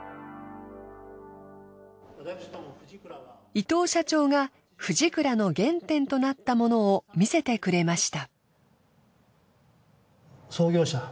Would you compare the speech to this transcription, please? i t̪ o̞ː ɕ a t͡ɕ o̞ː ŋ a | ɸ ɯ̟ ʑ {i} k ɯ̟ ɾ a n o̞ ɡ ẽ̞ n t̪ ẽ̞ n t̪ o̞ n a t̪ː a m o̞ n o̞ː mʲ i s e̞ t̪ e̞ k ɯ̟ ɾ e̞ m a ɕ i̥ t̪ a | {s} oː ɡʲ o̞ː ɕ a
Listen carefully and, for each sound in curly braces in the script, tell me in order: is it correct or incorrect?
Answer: correct, correct

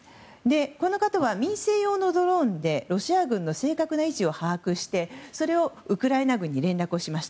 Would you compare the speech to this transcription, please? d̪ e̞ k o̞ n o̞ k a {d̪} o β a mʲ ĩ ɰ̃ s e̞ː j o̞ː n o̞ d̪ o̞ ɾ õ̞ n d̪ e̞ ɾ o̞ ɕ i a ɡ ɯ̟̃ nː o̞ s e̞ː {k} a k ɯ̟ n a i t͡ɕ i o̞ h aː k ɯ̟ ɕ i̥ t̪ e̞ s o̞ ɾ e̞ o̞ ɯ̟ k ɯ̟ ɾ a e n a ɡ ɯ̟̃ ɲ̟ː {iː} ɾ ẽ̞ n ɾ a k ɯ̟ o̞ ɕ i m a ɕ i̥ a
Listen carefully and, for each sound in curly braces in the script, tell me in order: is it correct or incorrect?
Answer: incorrect, correct, incorrect

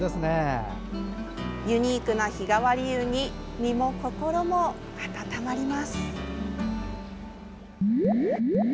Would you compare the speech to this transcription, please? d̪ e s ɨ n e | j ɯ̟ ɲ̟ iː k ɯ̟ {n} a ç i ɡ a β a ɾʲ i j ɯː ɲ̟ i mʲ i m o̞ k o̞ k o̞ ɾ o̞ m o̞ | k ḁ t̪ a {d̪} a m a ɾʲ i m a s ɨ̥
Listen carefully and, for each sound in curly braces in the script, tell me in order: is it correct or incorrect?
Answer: correct, incorrect

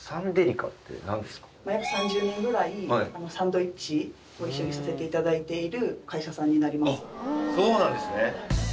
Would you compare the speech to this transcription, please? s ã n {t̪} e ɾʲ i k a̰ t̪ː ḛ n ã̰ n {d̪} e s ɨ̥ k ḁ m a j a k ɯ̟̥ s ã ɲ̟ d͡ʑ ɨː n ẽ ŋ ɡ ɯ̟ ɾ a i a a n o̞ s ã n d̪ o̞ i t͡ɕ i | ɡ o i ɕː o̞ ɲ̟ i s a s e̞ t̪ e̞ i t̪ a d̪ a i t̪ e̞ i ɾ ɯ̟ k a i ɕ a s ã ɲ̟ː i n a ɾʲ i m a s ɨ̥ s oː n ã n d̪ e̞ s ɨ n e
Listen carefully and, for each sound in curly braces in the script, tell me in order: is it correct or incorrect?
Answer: incorrect, correct

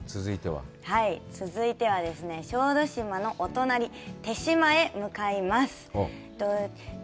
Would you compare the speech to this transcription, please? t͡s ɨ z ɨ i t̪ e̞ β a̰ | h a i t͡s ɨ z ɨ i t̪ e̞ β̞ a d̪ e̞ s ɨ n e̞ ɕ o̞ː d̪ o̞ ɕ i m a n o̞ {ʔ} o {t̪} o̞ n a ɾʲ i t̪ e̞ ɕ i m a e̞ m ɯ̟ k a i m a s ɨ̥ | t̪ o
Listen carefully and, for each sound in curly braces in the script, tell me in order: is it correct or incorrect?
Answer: correct, correct

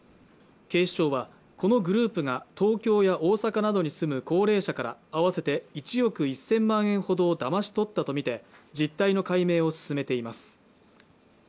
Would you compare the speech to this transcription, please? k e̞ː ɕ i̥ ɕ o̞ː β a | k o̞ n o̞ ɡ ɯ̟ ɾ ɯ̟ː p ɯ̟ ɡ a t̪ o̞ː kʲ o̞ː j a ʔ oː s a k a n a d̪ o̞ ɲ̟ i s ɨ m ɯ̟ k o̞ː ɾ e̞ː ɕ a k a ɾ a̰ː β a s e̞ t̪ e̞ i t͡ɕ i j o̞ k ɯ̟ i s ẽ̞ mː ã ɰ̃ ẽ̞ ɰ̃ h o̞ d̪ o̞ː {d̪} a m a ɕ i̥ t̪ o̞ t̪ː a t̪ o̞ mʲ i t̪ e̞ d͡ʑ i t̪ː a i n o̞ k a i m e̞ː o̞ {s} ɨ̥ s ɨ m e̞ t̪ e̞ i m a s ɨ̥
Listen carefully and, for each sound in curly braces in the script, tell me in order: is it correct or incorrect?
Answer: correct, correct

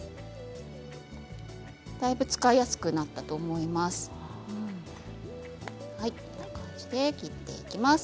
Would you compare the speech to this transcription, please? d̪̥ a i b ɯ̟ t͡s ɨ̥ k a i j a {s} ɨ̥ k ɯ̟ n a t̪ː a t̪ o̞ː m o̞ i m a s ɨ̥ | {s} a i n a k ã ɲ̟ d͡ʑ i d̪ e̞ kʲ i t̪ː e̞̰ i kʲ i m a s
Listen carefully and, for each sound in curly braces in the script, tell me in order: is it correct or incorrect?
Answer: correct, incorrect

